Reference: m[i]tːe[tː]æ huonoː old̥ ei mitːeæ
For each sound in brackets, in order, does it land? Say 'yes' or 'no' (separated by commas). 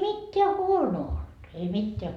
yes, no